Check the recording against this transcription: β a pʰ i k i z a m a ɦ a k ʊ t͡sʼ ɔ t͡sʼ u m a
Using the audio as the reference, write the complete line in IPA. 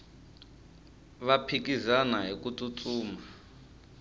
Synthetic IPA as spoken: β a pʰ i k i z a n a ɦ i k u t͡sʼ u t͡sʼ uː m a